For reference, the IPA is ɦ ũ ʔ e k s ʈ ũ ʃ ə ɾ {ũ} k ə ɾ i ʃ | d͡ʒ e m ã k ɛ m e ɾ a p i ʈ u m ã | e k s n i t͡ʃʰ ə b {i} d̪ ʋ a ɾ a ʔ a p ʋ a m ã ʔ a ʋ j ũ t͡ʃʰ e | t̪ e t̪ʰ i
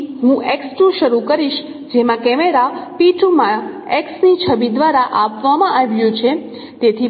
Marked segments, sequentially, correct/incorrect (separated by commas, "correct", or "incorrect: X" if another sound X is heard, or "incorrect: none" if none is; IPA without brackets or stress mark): incorrect: u, correct